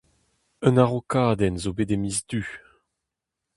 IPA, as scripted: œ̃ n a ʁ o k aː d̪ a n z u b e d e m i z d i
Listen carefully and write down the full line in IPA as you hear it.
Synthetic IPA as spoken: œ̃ n a ʁ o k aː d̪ ɛ n z o b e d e m i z d y